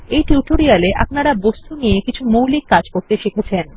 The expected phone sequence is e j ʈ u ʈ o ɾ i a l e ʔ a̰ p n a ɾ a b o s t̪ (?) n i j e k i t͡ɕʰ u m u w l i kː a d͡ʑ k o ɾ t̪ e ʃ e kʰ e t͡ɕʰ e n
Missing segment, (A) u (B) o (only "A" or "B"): A